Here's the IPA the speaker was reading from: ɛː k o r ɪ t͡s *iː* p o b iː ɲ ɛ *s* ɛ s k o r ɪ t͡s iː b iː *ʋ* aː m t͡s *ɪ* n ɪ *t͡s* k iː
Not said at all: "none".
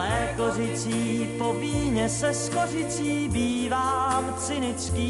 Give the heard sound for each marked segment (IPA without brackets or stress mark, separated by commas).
iː, s, v, ɪ, t͡s